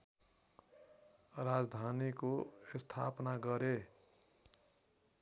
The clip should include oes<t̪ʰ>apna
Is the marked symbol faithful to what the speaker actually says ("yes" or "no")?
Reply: yes